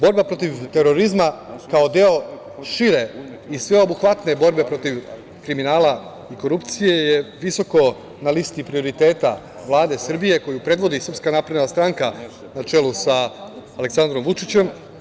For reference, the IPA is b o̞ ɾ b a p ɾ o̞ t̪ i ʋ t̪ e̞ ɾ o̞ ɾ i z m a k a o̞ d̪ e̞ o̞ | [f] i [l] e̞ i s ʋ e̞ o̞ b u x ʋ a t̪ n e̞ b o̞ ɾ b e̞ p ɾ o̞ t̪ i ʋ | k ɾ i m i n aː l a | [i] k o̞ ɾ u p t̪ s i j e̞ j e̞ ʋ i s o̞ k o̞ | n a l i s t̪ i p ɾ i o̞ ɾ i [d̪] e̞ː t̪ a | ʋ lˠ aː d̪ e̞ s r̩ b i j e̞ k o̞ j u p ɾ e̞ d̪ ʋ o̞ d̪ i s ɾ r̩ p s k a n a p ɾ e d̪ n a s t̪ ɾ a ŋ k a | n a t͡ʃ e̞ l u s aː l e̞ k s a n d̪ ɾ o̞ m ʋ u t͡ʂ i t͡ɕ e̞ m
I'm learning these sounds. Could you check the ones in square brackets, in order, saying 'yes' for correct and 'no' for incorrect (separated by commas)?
no, no, yes, no